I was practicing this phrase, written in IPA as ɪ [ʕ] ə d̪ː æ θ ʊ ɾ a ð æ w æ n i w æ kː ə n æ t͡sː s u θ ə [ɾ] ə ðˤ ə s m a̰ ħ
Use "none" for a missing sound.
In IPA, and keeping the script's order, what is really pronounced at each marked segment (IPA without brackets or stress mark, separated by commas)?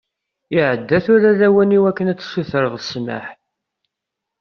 ʕ, ɾ